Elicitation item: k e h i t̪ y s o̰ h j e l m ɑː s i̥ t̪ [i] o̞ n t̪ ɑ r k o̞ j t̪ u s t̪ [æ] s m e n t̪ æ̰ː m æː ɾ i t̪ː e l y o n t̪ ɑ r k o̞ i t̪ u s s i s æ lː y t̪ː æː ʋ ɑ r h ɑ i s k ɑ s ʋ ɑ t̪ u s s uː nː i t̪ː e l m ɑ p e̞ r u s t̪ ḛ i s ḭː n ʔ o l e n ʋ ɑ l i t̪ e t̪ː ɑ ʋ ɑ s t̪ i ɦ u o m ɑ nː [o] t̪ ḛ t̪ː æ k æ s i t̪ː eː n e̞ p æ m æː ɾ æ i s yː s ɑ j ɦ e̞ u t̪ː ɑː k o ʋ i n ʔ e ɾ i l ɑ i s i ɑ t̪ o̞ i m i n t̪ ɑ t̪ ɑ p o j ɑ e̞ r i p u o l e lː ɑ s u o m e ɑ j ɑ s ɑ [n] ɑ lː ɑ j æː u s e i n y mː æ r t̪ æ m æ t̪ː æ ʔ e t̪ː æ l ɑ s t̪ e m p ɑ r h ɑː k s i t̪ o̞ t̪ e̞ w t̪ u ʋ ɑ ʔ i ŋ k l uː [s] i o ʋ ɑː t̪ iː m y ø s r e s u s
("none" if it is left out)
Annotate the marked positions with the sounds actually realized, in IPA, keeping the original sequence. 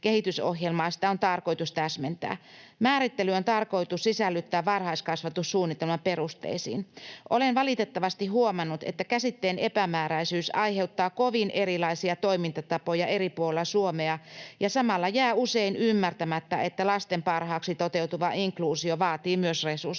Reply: æ, æ, u, m, s

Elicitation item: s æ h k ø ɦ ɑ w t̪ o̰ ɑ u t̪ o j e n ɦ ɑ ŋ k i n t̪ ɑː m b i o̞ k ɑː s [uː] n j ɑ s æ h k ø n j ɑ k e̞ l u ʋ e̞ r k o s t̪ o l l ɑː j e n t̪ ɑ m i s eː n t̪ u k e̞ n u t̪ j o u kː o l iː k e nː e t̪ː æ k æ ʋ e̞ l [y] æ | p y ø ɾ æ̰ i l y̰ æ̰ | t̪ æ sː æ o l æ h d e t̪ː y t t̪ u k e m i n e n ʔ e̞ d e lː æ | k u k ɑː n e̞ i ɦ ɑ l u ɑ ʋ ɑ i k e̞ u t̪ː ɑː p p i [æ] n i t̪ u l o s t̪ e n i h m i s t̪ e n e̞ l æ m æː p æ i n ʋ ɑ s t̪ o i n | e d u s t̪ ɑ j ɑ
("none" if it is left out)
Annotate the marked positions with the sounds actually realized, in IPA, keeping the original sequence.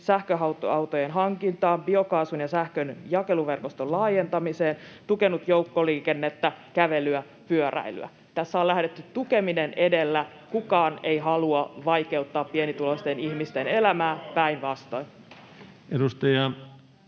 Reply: u, y, e

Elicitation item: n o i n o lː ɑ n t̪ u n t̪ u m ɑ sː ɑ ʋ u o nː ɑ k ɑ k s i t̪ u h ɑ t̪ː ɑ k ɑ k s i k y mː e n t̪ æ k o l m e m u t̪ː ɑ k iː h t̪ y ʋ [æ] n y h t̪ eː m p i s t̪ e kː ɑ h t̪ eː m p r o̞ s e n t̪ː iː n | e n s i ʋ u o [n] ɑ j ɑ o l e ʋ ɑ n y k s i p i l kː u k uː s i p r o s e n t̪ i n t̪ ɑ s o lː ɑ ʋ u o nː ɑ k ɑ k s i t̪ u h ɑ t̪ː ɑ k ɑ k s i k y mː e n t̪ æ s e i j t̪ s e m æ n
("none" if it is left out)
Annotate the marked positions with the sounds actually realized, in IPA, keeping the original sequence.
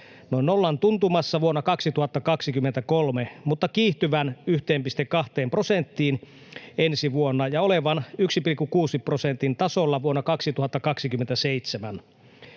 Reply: æ, nː

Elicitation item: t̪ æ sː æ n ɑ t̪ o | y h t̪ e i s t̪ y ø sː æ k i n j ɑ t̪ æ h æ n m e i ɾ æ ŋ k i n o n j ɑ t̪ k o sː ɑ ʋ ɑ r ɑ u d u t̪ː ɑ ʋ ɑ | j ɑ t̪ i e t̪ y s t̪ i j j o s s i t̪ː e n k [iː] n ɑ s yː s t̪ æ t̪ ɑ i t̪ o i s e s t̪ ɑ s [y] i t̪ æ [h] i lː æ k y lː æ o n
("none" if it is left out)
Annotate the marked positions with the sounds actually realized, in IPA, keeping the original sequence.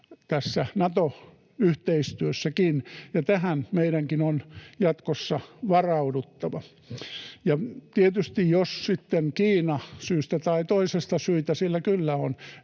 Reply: iː, y, s

